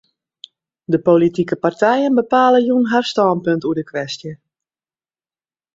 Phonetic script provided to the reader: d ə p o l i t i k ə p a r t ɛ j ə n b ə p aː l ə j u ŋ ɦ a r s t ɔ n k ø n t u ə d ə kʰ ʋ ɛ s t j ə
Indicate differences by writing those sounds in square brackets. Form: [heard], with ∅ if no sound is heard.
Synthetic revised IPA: d ə p o l i t i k ə p a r t ɛ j ə n b ə p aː l ə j u [n] ɦ a r s t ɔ n [p] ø n t u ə d ə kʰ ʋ ɛ s t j ə